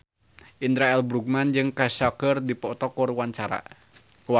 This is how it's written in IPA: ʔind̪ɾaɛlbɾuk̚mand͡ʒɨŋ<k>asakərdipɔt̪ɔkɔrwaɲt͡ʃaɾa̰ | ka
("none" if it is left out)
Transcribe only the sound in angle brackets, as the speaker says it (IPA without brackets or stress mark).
k